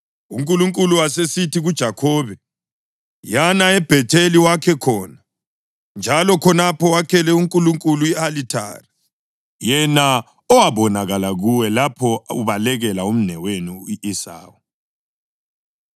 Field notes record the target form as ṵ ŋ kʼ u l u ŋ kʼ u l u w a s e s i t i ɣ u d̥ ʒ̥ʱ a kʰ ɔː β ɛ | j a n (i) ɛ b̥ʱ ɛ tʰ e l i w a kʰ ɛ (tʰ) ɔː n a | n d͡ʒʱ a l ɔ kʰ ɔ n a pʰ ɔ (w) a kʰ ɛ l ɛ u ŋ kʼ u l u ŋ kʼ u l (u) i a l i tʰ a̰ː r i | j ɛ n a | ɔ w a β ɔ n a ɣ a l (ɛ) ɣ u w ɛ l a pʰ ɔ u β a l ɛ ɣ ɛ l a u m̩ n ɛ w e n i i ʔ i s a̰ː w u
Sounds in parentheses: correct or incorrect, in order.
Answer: incorrect, incorrect, correct, correct, incorrect

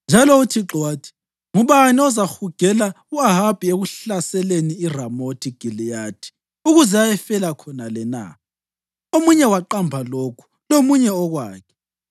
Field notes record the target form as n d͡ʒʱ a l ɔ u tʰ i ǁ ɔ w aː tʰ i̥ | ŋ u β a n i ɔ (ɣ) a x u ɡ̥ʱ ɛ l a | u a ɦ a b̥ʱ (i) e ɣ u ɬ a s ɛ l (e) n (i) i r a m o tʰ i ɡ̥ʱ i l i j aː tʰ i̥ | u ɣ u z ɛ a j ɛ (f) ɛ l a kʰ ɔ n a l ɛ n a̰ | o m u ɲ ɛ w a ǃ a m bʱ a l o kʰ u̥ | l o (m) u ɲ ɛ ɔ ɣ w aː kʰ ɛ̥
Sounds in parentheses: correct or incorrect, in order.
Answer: incorrect, correct, correct, correct, correct, correct

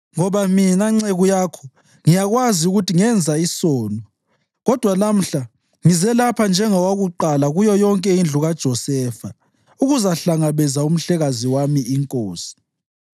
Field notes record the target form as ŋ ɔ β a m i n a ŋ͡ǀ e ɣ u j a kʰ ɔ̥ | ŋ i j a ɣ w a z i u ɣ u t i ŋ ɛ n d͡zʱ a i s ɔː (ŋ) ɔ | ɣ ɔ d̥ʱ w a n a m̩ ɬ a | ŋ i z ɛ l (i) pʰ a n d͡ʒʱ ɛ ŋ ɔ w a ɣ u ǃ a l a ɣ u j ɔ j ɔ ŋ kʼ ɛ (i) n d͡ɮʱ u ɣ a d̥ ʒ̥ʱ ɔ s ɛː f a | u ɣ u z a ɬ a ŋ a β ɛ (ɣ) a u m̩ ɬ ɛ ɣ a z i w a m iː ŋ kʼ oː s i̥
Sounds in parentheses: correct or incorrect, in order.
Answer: incorrect, incorrect, correct, incorrect

